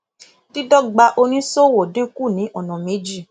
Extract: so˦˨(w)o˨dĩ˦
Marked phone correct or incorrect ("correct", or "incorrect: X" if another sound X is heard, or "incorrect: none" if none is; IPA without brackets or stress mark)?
correct